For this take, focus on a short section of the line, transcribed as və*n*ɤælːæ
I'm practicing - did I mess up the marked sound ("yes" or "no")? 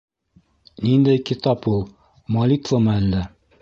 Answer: yes